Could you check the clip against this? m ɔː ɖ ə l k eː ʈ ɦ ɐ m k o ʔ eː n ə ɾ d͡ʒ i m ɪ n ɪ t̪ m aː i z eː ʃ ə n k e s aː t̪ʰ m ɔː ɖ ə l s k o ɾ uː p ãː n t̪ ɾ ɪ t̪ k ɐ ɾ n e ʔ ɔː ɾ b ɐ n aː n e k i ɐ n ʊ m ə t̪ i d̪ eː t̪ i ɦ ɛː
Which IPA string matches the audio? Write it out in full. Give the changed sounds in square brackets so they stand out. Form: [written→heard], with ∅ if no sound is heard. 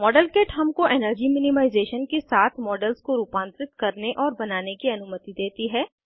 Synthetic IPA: m ɔː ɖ ə l k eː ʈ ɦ ɐ m k o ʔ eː n ə ɾ d͡ʒ i m ɪ n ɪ [t̪→∅] m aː [i→ɪ] z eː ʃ ə n k e s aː t̪ʰ m ɔː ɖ ə l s k o ɾ uː p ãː n t̪ ɾ ɪ t̪ k ɐ ɾ n e ʔ ɔː ɾ b ɐ n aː n e k i ɐ n ʊ m ə t̪ i d̪ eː t̪ i ɦ ɛː